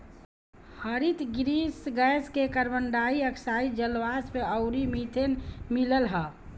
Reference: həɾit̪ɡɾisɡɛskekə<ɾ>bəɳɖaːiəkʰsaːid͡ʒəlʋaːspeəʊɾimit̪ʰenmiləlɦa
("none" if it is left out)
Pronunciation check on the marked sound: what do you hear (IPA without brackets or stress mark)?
ɾ